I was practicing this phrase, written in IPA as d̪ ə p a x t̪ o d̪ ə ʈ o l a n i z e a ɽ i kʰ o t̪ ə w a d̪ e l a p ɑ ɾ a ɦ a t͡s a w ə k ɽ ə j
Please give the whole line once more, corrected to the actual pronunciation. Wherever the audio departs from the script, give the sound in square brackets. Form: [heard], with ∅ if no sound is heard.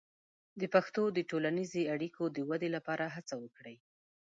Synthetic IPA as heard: d̪ ə p a x t̪ o d̪ ə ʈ o l a n i z e a ɽ i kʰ o [d̪] ə w a d̪ e l a p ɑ ɾ a ɦ a t͡s a w ə k ɽ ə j